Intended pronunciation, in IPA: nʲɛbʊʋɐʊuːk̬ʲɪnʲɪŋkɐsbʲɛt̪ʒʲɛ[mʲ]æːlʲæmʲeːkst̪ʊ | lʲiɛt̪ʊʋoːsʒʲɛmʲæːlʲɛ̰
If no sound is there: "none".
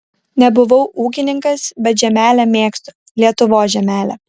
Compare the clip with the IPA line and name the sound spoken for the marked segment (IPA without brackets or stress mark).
mʲ